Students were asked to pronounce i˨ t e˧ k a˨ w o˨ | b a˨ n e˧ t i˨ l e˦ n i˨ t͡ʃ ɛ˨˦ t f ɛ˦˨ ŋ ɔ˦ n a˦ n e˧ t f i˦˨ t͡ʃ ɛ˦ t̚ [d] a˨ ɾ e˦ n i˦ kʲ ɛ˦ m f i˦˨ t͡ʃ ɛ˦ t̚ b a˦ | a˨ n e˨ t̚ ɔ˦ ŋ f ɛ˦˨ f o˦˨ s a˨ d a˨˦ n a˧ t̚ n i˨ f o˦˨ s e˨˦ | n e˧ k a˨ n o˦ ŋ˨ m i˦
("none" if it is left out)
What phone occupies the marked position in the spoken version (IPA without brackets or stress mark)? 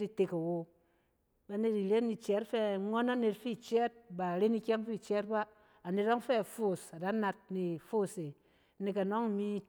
b